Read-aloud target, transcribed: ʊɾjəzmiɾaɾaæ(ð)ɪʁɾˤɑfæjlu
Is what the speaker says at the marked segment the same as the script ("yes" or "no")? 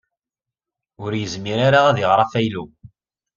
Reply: yes